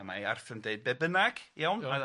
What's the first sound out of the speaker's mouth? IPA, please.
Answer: m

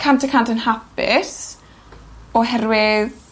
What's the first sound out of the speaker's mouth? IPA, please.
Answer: kʰ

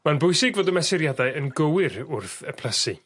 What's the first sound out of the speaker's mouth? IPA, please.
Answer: m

